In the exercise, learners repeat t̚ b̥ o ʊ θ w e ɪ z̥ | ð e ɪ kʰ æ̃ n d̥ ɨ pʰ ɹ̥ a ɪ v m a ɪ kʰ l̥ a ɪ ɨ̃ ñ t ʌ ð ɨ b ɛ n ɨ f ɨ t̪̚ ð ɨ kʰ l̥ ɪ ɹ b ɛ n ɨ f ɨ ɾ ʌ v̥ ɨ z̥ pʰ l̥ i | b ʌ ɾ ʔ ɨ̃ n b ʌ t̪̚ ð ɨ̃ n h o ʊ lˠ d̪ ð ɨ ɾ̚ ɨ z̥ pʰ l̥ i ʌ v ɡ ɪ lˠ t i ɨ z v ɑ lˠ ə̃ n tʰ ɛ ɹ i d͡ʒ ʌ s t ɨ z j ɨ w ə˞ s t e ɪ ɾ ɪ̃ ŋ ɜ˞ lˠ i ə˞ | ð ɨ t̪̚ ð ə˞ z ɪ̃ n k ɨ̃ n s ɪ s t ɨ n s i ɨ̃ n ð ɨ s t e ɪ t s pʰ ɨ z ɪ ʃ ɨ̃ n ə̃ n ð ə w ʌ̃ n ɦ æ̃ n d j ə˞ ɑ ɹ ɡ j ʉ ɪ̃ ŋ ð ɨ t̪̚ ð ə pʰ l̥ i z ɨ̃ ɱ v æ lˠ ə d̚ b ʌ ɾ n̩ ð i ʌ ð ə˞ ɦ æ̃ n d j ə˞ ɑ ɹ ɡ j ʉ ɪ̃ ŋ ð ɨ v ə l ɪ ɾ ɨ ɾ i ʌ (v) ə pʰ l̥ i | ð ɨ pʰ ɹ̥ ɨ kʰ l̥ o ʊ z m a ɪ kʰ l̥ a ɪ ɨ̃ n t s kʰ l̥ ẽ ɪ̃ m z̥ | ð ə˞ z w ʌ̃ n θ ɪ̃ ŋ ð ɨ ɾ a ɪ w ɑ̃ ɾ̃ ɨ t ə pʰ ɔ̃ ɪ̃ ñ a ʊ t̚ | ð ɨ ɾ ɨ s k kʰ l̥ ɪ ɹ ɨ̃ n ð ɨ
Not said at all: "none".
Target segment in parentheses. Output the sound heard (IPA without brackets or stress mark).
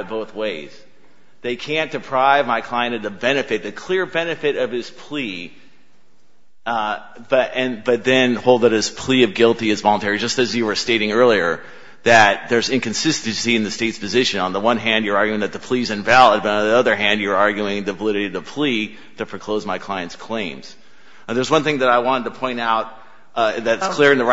ð